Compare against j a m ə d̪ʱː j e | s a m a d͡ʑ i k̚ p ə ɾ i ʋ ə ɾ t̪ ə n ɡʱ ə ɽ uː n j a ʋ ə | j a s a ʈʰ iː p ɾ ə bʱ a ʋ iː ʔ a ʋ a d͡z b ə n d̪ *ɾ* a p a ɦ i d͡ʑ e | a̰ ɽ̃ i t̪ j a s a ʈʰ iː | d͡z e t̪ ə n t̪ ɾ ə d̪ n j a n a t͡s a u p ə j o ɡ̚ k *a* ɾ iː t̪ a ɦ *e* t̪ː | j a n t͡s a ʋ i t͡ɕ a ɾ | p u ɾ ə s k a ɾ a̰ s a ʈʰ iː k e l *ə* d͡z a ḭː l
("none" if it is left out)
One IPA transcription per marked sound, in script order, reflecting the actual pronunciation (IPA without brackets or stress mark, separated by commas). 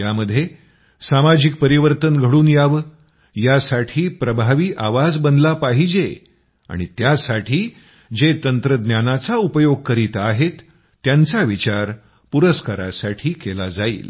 l, ə, e, a